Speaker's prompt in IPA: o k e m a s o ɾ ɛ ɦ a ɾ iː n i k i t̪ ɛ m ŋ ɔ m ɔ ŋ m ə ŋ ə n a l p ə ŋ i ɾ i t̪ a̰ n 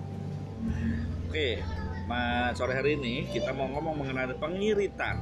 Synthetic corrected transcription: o k e m a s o ɾ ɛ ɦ a ɾ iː n i k i t̪ a m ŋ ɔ m ɔ ŋ m ə ŋ ə n a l p ə ŋ i ɾ i t̪ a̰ n